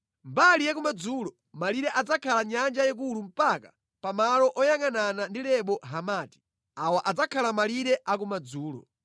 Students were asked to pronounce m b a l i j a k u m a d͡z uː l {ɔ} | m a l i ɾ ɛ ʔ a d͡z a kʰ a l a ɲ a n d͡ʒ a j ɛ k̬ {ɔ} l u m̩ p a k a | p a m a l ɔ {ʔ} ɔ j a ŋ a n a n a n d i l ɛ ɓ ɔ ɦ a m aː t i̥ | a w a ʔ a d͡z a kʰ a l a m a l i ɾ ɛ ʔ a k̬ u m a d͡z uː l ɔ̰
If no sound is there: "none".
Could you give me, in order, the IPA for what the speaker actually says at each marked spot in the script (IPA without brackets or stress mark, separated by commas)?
ɔ, u, ʔ